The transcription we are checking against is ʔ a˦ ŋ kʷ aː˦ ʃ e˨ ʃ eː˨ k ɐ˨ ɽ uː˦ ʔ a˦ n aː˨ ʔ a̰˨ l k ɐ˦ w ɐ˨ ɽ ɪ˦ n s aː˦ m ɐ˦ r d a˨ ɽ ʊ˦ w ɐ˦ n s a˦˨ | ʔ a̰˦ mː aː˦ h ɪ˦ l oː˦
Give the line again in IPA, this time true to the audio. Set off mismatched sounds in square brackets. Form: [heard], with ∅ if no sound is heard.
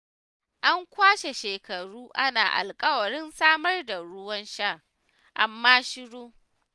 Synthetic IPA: ʔ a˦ ŋ kʷ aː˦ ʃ e˨ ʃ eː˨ k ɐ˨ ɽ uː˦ ʔ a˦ n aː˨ ʔ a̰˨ l [kʼ] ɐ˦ w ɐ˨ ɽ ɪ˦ n s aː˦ m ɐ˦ r d a˨ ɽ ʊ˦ w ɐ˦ n [ʃ] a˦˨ | ʔ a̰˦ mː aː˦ [ʃ] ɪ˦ [ɽ] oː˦